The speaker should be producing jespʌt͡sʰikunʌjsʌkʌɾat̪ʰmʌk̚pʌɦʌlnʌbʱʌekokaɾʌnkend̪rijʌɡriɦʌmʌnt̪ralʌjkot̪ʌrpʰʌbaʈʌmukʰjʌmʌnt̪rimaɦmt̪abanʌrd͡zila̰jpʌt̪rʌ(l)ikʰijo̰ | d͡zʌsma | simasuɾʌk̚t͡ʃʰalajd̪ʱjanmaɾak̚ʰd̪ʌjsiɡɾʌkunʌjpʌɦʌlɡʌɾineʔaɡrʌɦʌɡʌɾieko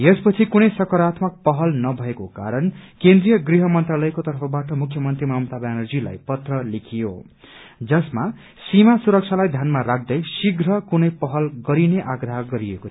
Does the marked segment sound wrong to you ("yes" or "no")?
no